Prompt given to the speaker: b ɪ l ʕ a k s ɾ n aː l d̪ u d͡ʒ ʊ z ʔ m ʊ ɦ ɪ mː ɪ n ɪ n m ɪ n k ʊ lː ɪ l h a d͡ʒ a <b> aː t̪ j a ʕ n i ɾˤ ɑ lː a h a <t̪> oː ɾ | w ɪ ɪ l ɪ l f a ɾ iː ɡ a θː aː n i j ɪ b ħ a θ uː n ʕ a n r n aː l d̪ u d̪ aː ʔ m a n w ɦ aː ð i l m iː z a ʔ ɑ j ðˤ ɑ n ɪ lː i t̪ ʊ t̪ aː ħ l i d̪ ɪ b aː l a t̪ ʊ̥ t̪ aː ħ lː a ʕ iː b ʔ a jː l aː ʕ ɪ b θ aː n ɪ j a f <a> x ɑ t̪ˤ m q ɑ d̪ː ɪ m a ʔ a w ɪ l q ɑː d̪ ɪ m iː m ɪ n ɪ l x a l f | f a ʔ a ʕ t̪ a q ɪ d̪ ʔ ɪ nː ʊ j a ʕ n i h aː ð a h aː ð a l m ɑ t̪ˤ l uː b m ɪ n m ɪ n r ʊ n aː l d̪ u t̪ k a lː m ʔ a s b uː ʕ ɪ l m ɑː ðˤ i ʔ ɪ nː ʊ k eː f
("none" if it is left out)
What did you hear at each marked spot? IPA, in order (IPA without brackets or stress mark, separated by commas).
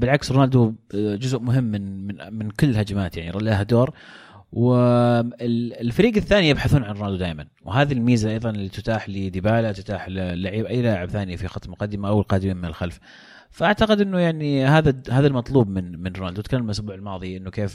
m, d̪, i